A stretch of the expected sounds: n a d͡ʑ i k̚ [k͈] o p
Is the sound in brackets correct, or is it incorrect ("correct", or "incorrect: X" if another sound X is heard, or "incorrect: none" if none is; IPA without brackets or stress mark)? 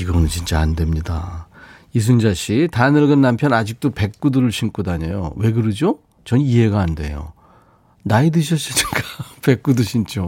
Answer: incorrect: t͈